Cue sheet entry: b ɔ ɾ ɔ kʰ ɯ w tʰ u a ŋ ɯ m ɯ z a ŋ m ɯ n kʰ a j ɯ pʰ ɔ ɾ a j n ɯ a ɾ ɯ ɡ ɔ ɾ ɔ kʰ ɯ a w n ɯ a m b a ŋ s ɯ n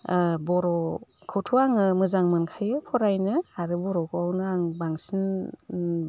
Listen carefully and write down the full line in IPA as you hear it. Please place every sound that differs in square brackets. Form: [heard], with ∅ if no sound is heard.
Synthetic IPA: b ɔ ɾ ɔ kʰ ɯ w tʰ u a ŋ ɯ m ɯ z a ŋ m ɯ n kʰ a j ɯ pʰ ɔ ɾ a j n ɯ a ɾ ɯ [b] ɔ ɾ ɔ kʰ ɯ a w n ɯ a [ŋ] b a ŋ s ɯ n